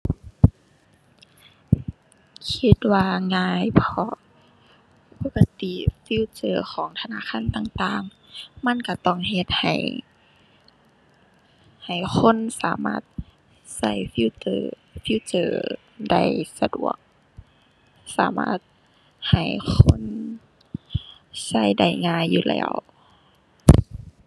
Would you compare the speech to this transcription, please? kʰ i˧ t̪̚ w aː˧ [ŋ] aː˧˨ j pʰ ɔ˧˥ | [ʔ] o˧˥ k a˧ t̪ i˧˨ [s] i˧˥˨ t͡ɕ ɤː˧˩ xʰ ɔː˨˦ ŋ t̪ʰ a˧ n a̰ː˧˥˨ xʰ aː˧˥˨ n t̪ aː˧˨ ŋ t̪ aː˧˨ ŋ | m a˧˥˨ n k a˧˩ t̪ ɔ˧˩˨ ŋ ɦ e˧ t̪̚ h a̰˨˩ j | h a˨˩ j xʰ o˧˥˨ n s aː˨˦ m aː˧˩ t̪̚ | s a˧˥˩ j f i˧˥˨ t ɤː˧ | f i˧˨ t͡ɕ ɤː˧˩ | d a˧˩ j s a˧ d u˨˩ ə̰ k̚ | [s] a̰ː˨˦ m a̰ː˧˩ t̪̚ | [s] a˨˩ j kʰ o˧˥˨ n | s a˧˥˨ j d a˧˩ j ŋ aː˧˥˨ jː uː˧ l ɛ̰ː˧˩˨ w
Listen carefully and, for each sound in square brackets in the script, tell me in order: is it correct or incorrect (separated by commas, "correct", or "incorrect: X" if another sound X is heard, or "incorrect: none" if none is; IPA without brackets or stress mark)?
correct, incorrect: p, incorrect: f, correct, incorrect: h